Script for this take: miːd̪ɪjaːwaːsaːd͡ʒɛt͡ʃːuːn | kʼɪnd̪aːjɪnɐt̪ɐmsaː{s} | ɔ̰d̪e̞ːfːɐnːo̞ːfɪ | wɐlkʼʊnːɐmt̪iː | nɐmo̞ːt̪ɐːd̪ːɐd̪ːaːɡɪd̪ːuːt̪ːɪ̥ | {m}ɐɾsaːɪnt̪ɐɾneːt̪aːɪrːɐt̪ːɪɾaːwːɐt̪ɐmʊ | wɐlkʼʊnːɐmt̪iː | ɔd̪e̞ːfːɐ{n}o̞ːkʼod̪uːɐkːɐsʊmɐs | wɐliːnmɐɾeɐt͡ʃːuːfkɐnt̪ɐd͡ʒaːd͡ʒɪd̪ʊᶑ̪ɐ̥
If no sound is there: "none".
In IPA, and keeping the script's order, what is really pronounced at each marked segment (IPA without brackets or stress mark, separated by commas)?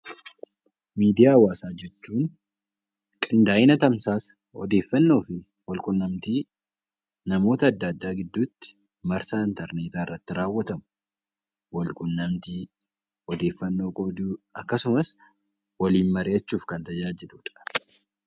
s, m, nː